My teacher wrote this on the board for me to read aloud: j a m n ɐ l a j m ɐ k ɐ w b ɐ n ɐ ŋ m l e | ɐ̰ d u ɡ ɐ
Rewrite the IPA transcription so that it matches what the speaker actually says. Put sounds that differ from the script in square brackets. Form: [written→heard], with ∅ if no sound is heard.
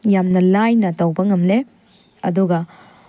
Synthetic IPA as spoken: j a m n ɐ l a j [m→n] ɐ [k→t] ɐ w b ɐ [n→ŋ] ɐ [ŋ→∅] m l e | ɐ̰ d u ɡ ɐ

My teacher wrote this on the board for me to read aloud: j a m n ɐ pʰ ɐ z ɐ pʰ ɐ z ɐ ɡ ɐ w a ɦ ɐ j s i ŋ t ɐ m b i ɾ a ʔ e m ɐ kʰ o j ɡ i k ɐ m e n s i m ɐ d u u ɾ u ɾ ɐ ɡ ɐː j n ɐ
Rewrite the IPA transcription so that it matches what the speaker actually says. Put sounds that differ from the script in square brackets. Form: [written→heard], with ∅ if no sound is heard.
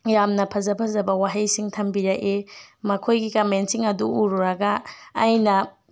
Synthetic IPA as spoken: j a m n ɐ pʰ ɐ z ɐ pʰ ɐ z ɐ [ɡ→b] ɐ w a ɦ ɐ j s i ŋ [t→tʰ] ɐ m b i ɾ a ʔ e m ɐ kʰ o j ɡ i k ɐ m e n s i [m→ŋ] ɐ d u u ɾ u ɾ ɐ ɡ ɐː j n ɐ

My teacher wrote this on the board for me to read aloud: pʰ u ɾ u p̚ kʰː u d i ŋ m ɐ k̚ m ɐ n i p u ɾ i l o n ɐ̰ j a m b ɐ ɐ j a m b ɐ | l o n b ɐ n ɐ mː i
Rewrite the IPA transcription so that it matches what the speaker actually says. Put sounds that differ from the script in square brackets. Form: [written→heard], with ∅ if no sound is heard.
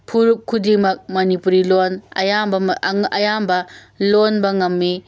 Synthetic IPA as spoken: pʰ u ɾ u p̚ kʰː u d i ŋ m ɐ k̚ m ɐ n i p u ɾ i l o n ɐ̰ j a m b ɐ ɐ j a m b ɐ | l o n b ɐ [n→ŋ] ɐ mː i

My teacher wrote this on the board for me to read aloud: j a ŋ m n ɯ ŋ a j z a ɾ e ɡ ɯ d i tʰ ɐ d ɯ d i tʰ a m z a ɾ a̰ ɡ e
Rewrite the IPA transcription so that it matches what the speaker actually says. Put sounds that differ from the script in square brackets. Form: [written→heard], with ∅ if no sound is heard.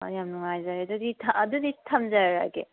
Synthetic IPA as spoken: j a [ŋ→∅] m n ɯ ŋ a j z a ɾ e [ɡ→d] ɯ d i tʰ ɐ d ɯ d i tʰ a m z a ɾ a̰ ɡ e

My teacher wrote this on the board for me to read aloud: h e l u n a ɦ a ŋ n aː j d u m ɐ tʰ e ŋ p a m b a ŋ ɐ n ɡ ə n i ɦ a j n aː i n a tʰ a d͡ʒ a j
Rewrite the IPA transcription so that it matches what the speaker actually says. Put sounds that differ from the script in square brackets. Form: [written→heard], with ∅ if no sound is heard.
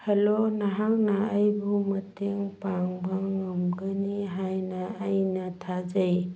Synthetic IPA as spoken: h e l [u→o] n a ɦ a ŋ n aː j [d→b] u m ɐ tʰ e ŋ p a [m→ŋ] b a ŋ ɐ [n→m] ɡ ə n i ɦ a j n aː [i→j] n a tʰ a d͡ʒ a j

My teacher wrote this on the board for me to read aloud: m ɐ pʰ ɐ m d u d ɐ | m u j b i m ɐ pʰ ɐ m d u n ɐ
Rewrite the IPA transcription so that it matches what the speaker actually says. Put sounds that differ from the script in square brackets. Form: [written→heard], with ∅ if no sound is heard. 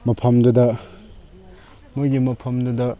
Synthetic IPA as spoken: m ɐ pʰ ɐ m d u d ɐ | m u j [b→ɡ] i m ɐ pʰ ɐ m d u [n→d] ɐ

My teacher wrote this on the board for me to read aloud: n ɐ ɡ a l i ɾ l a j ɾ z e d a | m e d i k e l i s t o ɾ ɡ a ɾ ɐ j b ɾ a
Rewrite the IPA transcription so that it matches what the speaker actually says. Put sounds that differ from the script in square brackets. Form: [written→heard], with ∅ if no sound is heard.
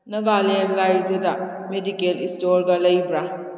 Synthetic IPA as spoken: n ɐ ɡ a l [i→e] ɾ l a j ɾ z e d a | m e d i k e l i s t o ɾ ɡ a [ɾ→l] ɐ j b ɾ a

